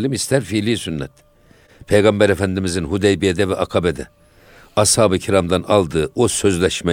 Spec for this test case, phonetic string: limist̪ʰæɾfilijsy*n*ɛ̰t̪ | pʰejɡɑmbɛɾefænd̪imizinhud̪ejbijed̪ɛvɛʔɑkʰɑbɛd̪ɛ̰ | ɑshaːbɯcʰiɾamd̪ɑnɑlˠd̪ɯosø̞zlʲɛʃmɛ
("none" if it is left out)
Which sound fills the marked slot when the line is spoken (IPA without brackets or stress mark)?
nː